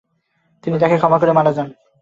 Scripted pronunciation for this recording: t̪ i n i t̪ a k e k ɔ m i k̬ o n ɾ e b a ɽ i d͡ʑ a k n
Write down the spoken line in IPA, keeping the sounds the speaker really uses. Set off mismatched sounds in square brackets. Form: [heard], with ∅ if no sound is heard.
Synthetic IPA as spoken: t̪ i n i t̪ a k e [kʰ] ɔ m [a] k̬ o [∅] ɾ e [m] a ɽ [a] d͡ʑ a [∅] n